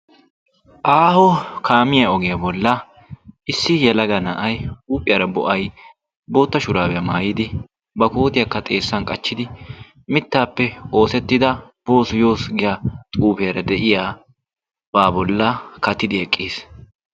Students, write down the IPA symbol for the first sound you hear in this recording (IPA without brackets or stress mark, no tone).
ʔ